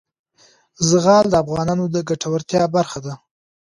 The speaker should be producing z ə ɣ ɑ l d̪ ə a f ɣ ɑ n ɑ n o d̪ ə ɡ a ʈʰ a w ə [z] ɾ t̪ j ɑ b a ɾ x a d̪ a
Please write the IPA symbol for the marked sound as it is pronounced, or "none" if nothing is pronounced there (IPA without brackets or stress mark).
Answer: none